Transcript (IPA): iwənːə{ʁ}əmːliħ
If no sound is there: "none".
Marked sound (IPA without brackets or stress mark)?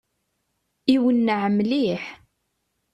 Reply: ʕ